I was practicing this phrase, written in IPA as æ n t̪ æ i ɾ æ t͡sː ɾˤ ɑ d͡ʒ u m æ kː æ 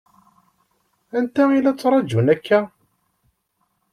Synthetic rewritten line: æ n t̪ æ i l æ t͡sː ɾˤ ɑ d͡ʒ u n æ kː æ